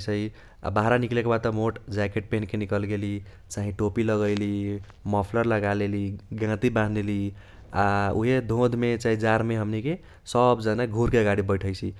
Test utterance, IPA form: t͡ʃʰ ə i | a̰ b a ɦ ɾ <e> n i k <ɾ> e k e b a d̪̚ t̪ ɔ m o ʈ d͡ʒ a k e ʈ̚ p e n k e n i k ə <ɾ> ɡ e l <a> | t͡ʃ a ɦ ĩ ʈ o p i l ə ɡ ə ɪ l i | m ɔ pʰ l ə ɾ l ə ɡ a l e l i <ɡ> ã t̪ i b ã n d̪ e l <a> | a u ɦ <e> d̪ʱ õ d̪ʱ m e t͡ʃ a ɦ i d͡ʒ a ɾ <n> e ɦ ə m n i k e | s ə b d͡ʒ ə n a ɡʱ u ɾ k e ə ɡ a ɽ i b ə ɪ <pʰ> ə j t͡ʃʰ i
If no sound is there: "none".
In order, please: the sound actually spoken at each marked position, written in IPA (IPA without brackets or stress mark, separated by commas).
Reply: a, l, l, i, ɡ, i, e, m, ʈʰ